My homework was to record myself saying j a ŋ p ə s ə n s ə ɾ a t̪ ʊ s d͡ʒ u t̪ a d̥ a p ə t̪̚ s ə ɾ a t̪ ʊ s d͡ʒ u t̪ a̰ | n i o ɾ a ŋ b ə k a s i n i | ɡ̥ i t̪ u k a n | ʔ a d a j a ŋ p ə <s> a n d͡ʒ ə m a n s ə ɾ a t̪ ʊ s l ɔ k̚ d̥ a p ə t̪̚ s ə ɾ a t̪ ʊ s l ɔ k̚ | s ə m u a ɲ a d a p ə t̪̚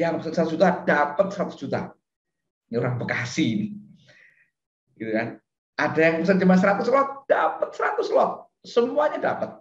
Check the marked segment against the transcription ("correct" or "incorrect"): correct